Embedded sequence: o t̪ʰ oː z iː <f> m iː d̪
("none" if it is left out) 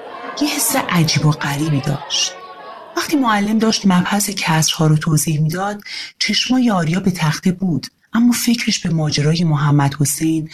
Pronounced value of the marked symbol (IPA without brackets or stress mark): h